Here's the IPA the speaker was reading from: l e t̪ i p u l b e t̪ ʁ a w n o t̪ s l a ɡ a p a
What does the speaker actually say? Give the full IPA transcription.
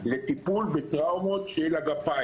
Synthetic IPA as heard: l e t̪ i p u l b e t̪ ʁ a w m o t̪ ʃ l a ɡ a p a